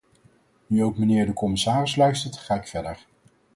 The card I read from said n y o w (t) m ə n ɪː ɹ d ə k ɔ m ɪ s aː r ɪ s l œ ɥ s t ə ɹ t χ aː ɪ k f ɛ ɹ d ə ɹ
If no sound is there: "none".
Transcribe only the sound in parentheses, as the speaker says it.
k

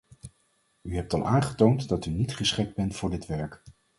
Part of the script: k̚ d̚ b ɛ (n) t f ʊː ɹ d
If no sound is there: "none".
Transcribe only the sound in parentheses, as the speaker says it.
n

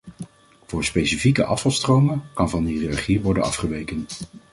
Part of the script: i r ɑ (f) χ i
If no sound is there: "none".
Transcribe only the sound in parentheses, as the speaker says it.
none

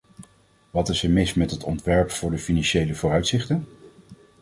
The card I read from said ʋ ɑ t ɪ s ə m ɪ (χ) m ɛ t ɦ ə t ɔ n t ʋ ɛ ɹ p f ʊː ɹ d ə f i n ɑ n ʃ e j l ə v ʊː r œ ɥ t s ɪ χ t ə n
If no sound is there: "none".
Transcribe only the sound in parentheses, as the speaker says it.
s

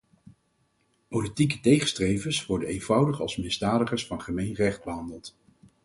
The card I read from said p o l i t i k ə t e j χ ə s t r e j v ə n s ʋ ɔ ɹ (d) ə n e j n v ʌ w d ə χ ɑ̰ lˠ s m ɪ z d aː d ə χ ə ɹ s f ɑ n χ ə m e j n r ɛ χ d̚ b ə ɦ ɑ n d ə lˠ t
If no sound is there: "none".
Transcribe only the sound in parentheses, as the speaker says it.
d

